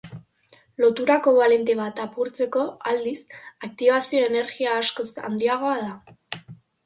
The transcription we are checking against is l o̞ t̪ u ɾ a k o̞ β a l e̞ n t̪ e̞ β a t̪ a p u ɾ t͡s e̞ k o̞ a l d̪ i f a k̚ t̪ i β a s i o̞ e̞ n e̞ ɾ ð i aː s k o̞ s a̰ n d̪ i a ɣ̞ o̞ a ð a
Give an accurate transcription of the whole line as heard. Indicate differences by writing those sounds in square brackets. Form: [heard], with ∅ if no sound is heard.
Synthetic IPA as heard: l o̞ t̪ u ɾ a k o̞ β a l e̞ n t̪ e̞ β a t̪ a p u ɾ t͡s e̞ k o̞ a l d̪ i [s] a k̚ t̪ i β a s i o̞ e̞ n e̞ ɾ [ɣ] i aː s k o̞ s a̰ n d̪ i a ɣ̞ o̞ a ð a